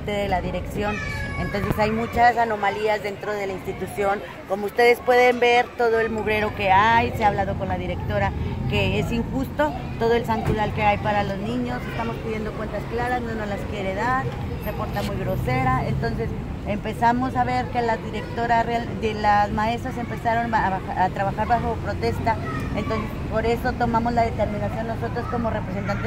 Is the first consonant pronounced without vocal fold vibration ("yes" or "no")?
yes